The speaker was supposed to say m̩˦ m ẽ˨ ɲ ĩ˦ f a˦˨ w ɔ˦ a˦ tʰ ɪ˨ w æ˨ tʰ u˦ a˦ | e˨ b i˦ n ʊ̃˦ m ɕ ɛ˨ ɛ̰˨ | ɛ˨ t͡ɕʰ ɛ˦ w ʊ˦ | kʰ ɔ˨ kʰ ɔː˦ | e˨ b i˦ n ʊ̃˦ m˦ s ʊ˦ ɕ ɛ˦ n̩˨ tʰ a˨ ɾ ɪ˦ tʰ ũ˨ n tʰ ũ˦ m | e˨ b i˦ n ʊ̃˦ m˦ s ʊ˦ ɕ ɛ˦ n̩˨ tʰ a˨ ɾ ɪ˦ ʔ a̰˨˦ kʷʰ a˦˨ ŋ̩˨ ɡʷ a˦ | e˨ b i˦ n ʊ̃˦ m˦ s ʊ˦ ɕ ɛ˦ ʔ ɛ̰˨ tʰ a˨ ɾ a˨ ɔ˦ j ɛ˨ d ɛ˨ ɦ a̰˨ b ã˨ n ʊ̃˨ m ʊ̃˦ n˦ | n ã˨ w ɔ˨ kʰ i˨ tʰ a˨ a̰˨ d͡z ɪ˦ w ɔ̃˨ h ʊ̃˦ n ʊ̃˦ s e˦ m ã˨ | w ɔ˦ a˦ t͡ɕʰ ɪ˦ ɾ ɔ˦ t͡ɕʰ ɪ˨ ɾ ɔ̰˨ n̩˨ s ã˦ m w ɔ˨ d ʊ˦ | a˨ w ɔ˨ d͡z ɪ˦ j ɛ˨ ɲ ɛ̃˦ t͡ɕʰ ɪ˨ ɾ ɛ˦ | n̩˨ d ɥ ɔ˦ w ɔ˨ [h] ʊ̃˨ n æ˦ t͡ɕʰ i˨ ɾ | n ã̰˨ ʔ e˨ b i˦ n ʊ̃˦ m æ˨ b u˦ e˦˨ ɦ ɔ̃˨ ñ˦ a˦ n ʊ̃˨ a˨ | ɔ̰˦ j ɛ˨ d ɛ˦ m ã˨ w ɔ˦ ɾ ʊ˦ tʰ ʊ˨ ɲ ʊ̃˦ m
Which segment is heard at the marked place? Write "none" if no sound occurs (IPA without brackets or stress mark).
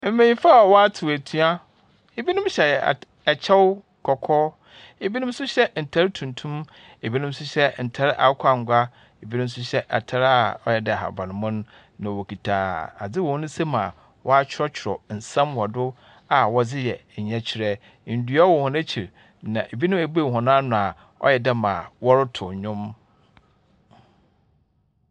h